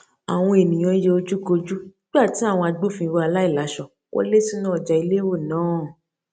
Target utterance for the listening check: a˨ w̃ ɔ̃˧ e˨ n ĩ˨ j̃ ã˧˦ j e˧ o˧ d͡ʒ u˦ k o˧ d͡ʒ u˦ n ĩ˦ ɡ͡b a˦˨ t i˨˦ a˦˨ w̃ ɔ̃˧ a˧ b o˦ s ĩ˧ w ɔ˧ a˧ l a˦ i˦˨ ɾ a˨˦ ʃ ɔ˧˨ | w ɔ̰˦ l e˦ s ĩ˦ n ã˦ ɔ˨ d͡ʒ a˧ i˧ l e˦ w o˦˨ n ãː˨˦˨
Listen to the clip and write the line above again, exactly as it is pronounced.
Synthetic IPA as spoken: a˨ w̃ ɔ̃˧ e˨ n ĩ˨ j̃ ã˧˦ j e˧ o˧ d͡ʒ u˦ k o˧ d͡ʒ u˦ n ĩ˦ ɡ͡b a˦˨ t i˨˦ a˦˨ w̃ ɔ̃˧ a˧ ɡ͡b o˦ f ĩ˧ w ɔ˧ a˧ l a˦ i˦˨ l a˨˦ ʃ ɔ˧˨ | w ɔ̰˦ l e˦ s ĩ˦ n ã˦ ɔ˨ d͡ʒ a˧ i˧ l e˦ w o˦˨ n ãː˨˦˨